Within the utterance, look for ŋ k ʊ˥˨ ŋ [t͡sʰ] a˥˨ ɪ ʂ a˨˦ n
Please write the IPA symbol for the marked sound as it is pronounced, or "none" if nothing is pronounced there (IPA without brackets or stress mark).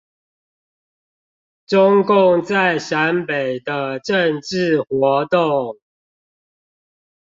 t͡s